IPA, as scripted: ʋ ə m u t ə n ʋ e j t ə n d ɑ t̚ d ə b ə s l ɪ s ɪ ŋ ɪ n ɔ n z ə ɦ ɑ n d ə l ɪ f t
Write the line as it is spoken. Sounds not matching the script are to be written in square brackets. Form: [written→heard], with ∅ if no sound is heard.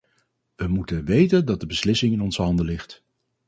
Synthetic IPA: ʋ ə m u t ə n ʋ e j t ə n d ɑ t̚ d ə b ə s l ɪ s ɪ ŋ ɪ n ɔ n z ə ɦ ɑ n d ə l ɪ [f→χ] t